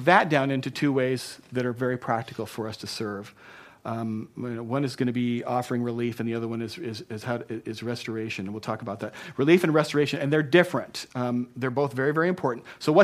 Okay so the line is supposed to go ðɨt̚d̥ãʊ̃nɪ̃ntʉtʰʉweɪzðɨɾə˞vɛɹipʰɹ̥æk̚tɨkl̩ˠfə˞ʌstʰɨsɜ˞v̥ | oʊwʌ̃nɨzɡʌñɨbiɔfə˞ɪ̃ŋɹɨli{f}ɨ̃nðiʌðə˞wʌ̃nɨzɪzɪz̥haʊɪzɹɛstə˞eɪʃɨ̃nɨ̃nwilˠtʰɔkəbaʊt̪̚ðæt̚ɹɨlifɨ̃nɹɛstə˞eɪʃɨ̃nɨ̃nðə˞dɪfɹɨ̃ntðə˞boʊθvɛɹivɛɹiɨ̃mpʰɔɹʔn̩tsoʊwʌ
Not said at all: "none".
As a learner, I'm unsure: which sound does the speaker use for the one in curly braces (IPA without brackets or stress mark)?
f